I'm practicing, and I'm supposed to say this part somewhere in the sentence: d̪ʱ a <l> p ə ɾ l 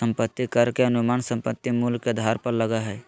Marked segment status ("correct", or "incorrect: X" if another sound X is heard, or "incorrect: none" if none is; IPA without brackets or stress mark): incorrect: ɾ